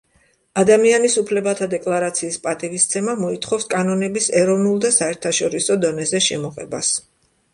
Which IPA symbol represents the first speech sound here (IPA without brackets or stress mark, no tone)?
a